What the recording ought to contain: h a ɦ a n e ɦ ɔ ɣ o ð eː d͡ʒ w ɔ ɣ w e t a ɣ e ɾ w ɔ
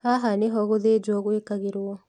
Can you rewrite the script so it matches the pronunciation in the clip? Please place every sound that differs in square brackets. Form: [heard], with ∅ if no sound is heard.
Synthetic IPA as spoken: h a ɦ a n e ɦ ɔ ɣ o ð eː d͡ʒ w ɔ ɣ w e [k] a ɣ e ɾ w ɔ